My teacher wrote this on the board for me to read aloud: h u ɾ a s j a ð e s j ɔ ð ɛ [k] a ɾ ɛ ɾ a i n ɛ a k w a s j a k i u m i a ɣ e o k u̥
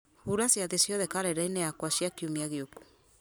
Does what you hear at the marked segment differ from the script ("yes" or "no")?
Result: no